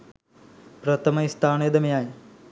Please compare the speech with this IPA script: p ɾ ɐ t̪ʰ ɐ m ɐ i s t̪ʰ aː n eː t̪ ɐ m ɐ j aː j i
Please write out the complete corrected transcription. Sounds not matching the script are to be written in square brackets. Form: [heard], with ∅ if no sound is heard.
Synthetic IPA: p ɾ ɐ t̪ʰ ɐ m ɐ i s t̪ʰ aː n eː [d̪] ɐ m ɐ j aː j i